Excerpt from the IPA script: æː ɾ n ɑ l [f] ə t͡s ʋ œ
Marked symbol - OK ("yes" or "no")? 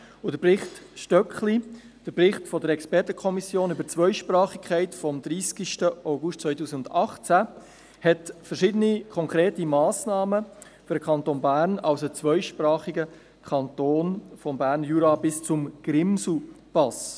no